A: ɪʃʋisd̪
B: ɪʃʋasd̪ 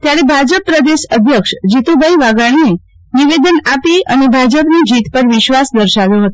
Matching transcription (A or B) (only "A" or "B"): B